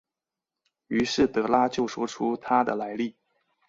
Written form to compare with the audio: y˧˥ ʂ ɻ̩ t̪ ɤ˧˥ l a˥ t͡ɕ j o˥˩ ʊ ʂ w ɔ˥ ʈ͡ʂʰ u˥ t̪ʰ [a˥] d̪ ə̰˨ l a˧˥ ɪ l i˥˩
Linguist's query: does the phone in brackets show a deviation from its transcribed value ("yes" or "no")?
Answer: no